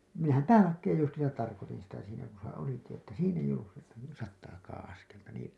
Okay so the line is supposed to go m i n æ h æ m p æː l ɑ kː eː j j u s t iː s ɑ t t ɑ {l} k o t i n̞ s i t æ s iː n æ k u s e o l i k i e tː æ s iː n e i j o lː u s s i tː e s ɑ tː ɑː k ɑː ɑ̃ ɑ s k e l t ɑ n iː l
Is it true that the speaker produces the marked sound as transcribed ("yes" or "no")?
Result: no